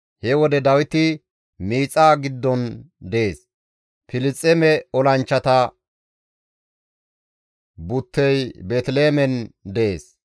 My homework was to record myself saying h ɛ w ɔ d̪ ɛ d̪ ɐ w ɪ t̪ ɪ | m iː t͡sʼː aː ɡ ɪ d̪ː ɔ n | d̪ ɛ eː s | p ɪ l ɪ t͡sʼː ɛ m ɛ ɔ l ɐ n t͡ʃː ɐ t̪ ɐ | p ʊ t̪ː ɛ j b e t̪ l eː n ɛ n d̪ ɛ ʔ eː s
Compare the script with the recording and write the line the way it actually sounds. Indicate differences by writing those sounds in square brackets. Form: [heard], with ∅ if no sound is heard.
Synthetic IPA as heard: h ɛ w ɔ d̪ ɛ d̪ ɐ w ɪ t̪ ɪ | m iː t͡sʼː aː ɡ ɪ d̪ː ɔ n | d̪ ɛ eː s | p ɪ l ɪ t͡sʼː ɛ m ɛ ɔ l ɐ n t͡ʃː ɐ t̪ ɐ | [b] ʊ t̪ː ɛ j b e t̪ l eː [m] ɛ n d̪ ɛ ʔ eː s